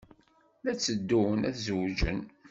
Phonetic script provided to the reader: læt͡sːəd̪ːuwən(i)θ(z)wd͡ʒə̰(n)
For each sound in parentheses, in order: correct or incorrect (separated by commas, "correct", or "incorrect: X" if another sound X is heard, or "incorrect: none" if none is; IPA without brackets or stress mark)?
incorrect: æ, correct, correct